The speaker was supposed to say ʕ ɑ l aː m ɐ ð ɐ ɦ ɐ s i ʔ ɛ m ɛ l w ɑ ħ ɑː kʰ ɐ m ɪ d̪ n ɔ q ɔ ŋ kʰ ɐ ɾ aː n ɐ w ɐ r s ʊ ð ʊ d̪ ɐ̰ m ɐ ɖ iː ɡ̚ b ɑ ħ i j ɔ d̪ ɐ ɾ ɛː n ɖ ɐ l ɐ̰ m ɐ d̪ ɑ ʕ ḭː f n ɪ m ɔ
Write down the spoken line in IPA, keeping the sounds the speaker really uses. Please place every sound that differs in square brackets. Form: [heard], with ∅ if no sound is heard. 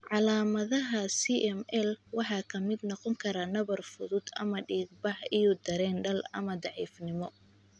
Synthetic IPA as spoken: ʕ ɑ l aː m ɐ ð ɐ ɦ ɐ s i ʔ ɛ m ɛ l w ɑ ħ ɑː kʰ ɐ m ɪ d̪ n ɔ q ɔ ŋ kʰ ɐ ɾ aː n ɐ [β] ɐ r [f] ʊ ð ʊ d̪ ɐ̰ m ɐ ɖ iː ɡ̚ b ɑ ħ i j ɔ d̪ ɐ ɾ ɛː n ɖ ɐ l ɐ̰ m ɐ d̪ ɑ ʕ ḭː f n ɪ m ɔ